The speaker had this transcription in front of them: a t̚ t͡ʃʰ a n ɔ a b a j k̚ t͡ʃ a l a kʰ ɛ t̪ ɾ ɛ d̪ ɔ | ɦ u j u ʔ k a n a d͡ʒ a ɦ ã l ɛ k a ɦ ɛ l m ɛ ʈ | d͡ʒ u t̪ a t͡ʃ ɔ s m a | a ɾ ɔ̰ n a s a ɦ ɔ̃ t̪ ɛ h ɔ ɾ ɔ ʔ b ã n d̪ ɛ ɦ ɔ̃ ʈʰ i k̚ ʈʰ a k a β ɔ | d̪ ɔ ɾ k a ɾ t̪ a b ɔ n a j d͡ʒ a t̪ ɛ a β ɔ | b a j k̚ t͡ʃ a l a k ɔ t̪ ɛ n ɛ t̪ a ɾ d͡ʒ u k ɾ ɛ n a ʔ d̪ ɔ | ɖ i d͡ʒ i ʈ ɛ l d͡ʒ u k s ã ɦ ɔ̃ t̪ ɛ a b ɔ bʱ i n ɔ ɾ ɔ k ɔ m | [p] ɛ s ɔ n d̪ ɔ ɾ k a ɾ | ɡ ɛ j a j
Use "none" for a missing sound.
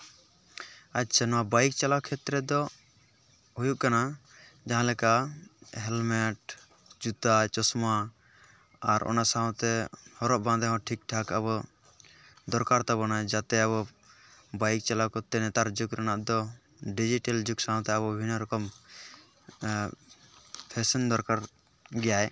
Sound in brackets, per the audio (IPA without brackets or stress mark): pʰ